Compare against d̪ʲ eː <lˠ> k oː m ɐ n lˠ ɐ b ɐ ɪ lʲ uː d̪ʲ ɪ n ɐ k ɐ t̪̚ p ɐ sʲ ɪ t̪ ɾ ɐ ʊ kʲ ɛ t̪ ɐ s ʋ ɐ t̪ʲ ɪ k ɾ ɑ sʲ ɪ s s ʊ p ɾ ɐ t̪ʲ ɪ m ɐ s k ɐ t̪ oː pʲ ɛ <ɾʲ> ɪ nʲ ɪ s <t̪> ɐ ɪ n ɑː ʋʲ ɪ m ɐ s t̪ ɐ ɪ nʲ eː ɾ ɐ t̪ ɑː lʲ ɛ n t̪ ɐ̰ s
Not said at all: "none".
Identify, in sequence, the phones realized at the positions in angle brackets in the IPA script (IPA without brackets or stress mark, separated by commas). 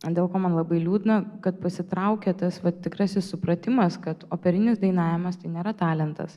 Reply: lˠ, ɾʲ, d̪